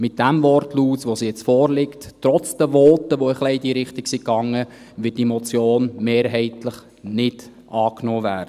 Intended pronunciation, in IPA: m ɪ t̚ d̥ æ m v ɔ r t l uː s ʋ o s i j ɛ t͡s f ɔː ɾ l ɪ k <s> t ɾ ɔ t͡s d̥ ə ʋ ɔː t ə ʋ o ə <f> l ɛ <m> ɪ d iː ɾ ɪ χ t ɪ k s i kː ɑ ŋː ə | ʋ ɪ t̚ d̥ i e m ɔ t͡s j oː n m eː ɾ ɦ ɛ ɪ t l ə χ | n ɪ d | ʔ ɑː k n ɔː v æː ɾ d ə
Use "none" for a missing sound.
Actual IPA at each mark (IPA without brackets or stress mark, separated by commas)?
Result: t, χ, none